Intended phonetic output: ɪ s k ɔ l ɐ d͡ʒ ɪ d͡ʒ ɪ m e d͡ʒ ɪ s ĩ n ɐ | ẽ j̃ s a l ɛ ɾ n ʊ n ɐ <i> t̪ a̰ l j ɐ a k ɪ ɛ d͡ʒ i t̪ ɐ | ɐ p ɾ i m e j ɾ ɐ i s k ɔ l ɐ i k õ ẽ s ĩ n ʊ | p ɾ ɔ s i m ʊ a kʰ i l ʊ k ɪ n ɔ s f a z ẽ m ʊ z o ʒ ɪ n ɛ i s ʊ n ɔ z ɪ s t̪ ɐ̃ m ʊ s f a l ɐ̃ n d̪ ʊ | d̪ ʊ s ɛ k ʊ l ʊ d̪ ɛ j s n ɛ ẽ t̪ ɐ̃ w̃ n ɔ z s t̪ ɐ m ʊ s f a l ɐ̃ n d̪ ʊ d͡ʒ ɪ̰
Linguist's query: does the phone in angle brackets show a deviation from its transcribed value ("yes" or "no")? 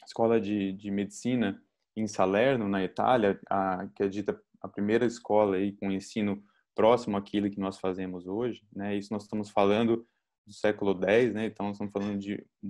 no